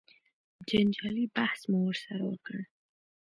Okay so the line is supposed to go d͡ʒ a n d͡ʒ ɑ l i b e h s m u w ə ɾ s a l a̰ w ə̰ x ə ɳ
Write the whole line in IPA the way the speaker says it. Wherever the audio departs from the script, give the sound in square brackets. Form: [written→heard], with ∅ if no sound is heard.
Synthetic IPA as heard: d͡ʒ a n d͡ʒ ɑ l i b [e→a] h s m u w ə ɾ s a [l→ɾ] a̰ w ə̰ [x→k] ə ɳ